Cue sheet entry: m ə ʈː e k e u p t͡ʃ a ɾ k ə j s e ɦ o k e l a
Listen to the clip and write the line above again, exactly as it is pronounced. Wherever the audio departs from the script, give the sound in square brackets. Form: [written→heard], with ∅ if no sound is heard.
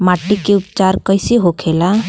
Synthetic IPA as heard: m [ə→a] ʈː [e→i] k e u p t͡ʃ a ɾ k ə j s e ɦ o [k→kʰ] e l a